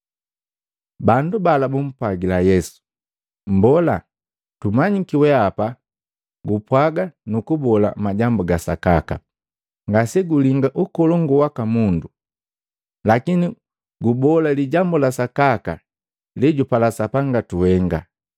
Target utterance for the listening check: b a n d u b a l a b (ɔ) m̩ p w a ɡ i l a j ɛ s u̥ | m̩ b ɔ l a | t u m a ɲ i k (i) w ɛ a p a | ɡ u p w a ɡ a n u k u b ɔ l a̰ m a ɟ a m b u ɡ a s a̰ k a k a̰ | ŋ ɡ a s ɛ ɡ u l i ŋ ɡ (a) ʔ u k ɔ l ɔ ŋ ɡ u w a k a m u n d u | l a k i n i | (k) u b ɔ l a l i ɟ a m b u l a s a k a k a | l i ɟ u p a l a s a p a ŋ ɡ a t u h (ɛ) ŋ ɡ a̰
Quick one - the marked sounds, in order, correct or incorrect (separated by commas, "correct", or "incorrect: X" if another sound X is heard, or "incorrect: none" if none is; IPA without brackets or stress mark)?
incorrect: u, correct, correct, incorrect: ɡ, correct